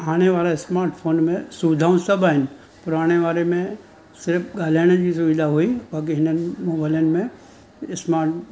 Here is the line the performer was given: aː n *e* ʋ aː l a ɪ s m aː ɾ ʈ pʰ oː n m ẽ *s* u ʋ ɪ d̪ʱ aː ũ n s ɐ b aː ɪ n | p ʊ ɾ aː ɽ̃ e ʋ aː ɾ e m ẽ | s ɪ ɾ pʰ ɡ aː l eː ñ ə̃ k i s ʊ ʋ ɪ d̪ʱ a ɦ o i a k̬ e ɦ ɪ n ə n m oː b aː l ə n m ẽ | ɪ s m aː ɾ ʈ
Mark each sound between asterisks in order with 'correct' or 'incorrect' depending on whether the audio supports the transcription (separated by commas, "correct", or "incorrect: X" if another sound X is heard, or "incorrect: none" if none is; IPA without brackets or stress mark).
correct, correct